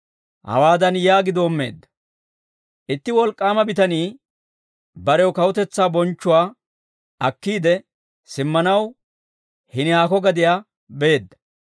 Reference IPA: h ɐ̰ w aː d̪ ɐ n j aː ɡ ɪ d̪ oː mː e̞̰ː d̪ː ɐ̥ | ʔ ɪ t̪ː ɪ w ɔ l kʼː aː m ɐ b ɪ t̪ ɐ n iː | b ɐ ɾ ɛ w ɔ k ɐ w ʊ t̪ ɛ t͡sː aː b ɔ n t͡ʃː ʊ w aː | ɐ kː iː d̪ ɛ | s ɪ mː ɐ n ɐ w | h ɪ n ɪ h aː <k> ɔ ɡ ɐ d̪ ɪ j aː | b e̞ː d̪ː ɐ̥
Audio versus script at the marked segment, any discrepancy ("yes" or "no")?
no